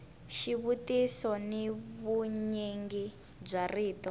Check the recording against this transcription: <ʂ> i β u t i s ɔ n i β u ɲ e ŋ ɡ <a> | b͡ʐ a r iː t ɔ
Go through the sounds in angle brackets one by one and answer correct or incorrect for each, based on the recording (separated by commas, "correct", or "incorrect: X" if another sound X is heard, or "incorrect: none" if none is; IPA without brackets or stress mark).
incorrect: ʃ, incorrect: i